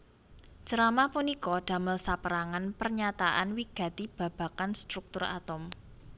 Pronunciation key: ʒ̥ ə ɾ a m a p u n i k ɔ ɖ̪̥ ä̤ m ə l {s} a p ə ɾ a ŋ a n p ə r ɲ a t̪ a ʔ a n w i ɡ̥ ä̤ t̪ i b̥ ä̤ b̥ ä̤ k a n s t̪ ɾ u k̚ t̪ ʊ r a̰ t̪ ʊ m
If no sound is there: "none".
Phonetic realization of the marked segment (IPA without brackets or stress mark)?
s